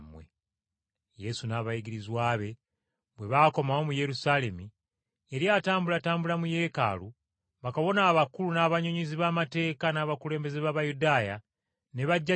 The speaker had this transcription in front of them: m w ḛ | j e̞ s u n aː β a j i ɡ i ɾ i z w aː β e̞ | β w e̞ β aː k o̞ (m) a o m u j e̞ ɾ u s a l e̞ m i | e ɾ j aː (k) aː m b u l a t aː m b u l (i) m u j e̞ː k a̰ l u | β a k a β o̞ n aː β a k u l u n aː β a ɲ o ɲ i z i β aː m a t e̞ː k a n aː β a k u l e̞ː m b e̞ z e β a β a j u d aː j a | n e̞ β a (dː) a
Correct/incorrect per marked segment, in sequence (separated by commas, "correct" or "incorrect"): correct, incorrect, incorrect, incorrect